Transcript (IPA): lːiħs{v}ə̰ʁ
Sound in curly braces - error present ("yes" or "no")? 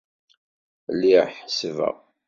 no